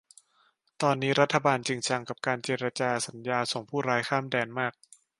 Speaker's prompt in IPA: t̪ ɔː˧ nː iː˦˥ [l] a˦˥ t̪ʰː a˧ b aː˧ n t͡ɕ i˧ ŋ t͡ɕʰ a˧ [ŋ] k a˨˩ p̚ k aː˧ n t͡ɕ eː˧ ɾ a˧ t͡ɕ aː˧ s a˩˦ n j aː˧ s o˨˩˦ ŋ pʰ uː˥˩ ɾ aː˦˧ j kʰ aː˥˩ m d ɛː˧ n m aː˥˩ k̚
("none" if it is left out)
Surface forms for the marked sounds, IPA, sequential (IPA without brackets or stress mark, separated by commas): ɾ, ŋ